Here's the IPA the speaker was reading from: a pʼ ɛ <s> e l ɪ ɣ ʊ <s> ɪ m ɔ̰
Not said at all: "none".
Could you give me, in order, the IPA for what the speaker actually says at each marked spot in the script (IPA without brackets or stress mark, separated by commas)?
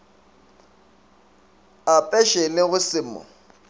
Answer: ʃ, s